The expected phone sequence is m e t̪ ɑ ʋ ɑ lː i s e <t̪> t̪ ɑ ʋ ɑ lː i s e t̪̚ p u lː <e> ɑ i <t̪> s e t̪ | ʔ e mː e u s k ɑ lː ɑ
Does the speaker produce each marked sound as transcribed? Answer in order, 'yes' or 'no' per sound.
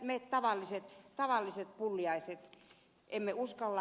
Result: yes, no, no

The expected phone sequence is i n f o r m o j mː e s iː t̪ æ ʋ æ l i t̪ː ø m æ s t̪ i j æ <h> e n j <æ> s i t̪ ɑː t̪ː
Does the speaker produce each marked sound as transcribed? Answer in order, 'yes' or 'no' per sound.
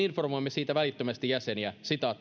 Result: no, yes

